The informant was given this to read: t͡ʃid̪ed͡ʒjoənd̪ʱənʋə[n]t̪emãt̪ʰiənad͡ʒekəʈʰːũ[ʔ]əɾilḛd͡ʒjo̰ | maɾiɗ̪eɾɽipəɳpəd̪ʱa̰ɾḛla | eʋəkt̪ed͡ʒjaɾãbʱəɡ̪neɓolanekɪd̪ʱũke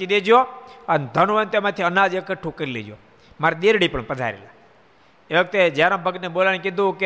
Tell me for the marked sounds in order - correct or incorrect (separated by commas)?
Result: correct, incorrect